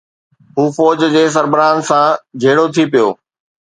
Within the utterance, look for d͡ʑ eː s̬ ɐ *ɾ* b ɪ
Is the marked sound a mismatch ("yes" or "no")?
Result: no